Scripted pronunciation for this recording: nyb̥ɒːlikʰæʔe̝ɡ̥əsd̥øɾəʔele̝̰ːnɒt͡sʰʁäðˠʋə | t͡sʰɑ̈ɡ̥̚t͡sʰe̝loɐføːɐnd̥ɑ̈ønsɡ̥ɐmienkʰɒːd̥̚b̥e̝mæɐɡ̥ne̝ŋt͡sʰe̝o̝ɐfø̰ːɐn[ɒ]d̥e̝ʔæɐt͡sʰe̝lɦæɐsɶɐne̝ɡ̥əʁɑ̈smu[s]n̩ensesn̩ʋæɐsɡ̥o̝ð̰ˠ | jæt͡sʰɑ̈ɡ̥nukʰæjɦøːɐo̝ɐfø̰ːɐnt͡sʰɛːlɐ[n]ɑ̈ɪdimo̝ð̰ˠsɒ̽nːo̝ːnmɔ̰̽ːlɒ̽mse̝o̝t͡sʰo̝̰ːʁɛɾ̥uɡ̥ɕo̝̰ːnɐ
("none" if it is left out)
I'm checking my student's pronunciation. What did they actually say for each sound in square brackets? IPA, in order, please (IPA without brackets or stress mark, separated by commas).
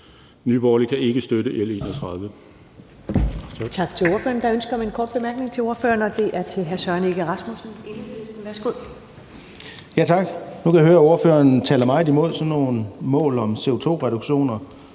ɒ, s, m